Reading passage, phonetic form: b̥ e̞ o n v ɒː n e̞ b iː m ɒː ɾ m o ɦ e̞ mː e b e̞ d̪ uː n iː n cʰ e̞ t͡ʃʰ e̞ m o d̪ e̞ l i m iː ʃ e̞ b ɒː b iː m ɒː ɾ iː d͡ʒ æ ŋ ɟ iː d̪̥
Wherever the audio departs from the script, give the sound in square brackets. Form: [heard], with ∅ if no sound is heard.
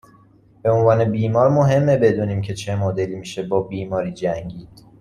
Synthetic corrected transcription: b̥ e̞ o n v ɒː n e̞ b iː m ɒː ɾ m o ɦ e̞ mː e b e̞ d̪ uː n iː [m] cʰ e̞ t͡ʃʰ e̞ m o d̪ e̞ l i m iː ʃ e̞ b ɒː b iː m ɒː ɾ iː d͡ʒ æ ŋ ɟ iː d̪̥